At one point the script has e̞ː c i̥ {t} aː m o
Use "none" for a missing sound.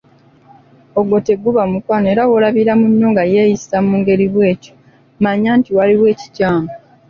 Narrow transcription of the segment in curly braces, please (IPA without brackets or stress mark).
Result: c